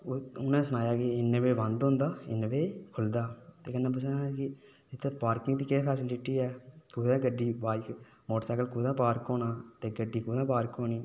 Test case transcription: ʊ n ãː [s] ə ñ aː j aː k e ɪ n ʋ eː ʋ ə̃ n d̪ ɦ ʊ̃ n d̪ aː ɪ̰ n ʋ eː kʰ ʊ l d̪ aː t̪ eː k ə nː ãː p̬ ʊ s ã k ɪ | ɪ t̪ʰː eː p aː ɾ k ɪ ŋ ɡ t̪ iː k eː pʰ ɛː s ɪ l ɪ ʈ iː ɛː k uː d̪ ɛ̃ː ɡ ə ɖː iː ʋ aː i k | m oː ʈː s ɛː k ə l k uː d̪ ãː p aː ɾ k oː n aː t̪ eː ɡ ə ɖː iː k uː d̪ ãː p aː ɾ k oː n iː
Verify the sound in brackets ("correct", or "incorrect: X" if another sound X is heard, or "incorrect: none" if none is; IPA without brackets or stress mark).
correct